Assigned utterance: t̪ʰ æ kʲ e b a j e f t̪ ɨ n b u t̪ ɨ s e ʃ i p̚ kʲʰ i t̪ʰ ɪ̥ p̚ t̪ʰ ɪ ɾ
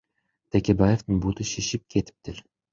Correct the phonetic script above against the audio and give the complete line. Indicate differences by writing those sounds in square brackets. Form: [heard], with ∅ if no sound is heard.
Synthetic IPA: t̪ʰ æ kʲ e b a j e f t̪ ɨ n b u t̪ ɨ [ʃ] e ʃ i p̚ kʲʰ [e] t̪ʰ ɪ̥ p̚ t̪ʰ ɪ ɾ